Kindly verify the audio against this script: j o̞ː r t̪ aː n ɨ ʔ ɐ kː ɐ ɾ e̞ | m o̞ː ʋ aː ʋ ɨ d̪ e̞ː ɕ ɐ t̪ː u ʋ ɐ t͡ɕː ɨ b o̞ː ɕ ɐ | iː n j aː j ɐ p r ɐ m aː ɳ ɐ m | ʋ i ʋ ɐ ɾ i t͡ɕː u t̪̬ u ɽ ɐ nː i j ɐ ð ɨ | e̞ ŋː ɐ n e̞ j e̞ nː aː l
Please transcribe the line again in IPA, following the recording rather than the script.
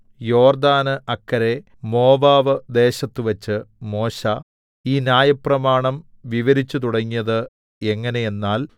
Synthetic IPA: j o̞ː r d̪ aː n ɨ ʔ ɐ kː ɐ ɾ e̞ | m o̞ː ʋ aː ʋ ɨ d̪ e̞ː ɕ ɐ t̪ː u ʋ ɐ t͡ɕː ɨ m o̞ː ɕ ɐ | iː n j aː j ɐ p r ɐ m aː ɳ ɐ m | ʋ i ʋ ɐ ɾ i t͡ɕː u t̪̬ u ɽ ɐ ŋː i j ɐ ð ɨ | e̞ ŋː ɐ n e̞ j e̞ nː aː l

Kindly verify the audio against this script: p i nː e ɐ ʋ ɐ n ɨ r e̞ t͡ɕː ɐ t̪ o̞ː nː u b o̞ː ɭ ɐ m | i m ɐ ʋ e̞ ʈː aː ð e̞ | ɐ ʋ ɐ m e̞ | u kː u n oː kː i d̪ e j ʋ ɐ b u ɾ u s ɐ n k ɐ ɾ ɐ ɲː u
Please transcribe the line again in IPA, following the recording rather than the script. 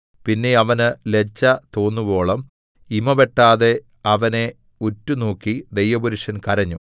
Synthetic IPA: p i nː e ɐ ʋ ɐ n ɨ l e̞ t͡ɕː ɐ t̪ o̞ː nː u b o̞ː ɭ ɐ m | i m ɐ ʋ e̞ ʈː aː ð e̞ | ɐ ʋ ɐ n e̞ | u tː u n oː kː i d̪ e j ʋ ɐ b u ɾ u ʂ ɐ n k ɐ ɾ ɐ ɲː u

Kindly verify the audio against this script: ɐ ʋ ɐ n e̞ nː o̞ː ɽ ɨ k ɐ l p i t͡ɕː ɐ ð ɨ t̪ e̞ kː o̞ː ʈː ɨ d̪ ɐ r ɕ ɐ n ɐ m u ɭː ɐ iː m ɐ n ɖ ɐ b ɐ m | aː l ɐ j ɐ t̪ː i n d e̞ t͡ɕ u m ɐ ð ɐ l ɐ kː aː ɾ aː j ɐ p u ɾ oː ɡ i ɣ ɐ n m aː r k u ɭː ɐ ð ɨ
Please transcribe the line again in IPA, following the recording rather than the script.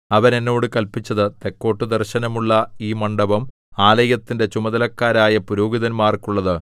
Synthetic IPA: ɐ ʋ ɐ n e̞ nː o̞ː ɽ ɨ k ɐ l p i t͡ɕː ɐ ð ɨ t̪ e̞ kː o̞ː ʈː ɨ d̪ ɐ r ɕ ɐ n ɐ m u ɭː ɐ iː m ɐ ɳ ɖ ɐ b ɐ m | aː l ɐ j ɐ t̪ː i n d e̞ t͡ɕ u m ɐ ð ɐ l ɐ kː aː ɾ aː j ɐ p u ɾ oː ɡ i ð ɐ n m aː r k u ɭː ɐ ð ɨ

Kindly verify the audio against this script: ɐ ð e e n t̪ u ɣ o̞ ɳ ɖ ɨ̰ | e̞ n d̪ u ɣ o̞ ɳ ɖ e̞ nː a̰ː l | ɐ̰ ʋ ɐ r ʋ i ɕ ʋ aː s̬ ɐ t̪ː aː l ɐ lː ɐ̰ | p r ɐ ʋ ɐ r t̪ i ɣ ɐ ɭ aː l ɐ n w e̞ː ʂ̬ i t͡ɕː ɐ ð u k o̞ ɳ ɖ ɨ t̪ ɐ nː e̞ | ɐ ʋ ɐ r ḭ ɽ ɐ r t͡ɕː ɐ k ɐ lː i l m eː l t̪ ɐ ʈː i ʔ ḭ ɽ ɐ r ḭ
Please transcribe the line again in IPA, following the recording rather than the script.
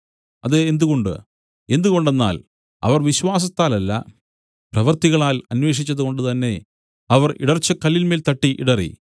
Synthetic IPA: ɐ ð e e n d̪ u ɣ o̞ ɳ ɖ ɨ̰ | e̞ n d̪ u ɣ o̞ ɳ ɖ e̞ nː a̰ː l | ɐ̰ ʋ ɐ r ʋ i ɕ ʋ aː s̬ ɐ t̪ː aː l ɐ lː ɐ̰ | p r ɐ ʋ ɐ r t̪ i ɣ ɐ ɭ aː l ɐ n w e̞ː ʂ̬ i t͡ɕː ɐ ð u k o̞ ɳ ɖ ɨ t̪ ɐ nː e̞ | ɐ ʋ ɐ r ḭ ɽ ɐ r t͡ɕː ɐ k ɐ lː i l m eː l t̪ ɐ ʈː i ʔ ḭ ɽ ɐ r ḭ

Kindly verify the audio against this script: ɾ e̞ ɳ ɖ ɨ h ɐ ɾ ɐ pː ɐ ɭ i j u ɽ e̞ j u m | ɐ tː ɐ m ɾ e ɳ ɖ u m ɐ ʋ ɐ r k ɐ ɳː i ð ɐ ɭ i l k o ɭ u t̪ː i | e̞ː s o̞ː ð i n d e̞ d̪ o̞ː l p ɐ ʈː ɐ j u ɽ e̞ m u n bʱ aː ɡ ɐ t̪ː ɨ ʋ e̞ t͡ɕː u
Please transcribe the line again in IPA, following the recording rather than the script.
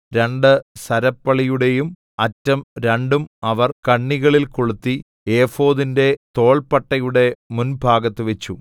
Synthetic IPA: ɾ e̞ ɳ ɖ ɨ s ɐ ɾ ɐ pː ɐ ɭ i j u ɽ e̞ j u m | ɐ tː ɐ m ɾ e ɳ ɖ u m ɐ ʋ ɐ r k ɐ ɳː i ɣ ɐ ɭ i l k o ɭ u t̪ː i | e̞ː f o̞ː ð i n d e̞ t̪ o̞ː ɭ p ɐ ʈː ɐ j u ɽ e̞ m u n bʱ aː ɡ ɐ t̪ː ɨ ʋ e̞ t͡ɕː u

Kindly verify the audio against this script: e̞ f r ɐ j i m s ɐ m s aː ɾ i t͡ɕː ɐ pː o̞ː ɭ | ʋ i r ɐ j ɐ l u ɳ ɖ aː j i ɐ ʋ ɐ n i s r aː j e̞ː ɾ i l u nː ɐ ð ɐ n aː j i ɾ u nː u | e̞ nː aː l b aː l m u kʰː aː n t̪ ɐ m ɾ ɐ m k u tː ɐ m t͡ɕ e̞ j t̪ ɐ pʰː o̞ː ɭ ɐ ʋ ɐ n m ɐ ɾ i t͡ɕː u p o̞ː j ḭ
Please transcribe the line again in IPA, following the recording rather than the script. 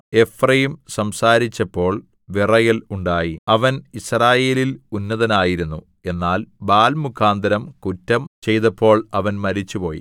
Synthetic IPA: e̞ f r ɐ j i m s ɐ m s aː ɾ i t͡ɕː ɐ pː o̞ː ɭ | ʋ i r ɐ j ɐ l u ɳ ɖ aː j i ɐ ʋ ɐ n i s r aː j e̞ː l i l u nː ɐ ð ɐ n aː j i ɾ u nː u | e̞ nː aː l b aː l m u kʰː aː n d̪ ɐ ɾ ɐ m k u tː ɐ m t͡ɕ e̞ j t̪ ɐ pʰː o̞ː ɭ ɐ ʋ ɐ n m ɐ ɾ i t͡ɕː u p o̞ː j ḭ

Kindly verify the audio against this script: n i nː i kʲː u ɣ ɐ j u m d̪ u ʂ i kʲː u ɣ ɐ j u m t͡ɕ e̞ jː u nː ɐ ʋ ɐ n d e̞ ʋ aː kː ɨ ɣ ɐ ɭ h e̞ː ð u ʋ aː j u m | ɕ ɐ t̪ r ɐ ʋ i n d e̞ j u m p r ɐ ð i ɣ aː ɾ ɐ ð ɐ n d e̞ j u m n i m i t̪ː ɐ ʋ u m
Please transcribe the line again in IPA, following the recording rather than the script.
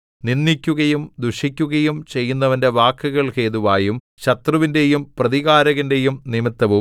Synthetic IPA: n i nː i kʲː u ɣ ɐ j u m d̪ u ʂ i kʲː u ɣ ɐ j u m t͡ɕ e̞ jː u nː ɐ ʋ ɐ n d e̞ ʋ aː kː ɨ ɣ ɐ ɭ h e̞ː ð u ʋ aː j u m | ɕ ɐ t̪ r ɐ ʋ i n d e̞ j u m p r ɐ ð i ɣ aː ɾ ɐ ɣ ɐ n d e̞ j u m n i m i t̪ː ɐ ʋ u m

